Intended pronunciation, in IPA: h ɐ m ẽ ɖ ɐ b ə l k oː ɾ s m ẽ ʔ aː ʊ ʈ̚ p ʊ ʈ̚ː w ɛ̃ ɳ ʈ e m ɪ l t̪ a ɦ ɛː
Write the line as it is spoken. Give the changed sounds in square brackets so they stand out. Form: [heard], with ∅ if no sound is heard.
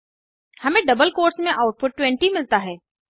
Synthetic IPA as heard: h ɐ m ẽ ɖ ɐ b ə l k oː ɾ s m ẽ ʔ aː ʊ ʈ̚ p ʊ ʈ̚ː w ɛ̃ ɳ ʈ [i] m ɪ l t̪ a ɦ ɛː